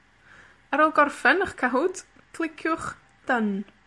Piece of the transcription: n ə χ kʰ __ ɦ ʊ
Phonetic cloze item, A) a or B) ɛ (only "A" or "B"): A